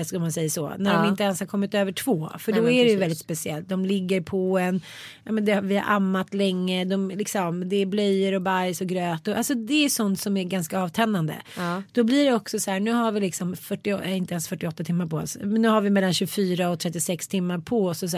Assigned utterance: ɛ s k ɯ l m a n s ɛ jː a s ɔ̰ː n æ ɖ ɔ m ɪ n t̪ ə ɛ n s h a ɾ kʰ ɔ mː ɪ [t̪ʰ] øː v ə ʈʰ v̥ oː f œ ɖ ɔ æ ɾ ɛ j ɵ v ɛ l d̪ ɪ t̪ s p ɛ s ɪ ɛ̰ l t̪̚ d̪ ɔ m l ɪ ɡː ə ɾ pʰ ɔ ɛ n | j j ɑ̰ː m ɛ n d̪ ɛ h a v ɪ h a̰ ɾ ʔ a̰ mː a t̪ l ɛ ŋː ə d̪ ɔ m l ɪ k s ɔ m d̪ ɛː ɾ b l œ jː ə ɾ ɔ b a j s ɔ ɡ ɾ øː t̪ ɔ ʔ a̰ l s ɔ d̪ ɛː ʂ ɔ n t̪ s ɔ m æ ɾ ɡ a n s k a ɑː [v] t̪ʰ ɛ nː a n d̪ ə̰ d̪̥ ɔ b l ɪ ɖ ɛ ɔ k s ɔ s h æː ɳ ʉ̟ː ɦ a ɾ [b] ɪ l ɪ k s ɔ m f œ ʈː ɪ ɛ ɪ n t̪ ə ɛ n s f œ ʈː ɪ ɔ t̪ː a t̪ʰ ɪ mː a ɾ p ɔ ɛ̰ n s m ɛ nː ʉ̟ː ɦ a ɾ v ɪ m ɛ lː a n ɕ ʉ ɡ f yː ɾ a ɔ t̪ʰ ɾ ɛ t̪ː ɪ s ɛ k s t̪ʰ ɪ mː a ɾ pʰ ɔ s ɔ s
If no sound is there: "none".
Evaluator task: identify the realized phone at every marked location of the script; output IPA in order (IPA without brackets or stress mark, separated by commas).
t̪, v, v